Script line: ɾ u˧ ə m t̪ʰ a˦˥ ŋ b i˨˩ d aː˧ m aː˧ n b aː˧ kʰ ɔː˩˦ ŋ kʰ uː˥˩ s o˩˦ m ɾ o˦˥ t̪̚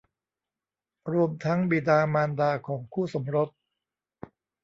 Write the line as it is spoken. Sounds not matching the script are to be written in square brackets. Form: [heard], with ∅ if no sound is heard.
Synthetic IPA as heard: ɾ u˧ ə m t̪ʰ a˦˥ ŋ b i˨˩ d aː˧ m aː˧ n [d] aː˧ kʰ ɔː˩˦ ŋ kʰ uː˥˩ s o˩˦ m ɾ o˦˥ t̪̚